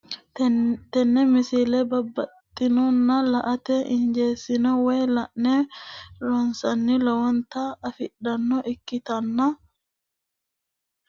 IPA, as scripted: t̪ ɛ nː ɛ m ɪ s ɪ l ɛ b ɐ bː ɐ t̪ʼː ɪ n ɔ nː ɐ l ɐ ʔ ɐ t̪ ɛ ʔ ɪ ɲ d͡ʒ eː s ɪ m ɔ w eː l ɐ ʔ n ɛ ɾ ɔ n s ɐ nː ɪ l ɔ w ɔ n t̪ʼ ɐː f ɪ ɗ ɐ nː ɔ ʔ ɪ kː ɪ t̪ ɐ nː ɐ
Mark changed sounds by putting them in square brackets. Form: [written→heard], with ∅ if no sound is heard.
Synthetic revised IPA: t̪ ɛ nː ɛ m ɪ s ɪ l ɛ b ɐ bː ɐ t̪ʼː ɪ n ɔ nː ɐ l ɐ ʔ ɐ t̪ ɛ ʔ ɪ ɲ d͡ʒ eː s ɪ [m→n] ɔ w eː l ɐ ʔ n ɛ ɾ ɔ n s ɐ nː ɪ l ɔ w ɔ n [t̪ʼ→t̪] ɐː f ɪ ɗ ɐ nː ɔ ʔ ɪ kː ɪ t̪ ɐ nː ɐ